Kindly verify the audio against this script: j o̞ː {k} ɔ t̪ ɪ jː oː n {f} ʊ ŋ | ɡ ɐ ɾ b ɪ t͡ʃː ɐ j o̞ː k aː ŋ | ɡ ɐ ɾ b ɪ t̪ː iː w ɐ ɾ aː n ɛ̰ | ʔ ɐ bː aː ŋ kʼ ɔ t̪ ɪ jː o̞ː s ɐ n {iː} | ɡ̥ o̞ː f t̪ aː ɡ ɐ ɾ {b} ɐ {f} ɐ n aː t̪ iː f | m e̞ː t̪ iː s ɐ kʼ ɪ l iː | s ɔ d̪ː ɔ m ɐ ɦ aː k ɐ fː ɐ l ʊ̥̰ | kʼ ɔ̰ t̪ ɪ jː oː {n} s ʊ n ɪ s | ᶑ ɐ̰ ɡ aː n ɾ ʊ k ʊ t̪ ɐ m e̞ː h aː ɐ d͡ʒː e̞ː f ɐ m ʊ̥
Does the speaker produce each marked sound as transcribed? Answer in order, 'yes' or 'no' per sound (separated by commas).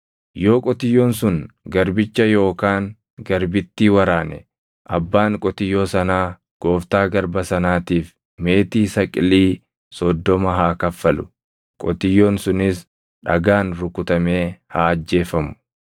no, no, no, yes, no, yes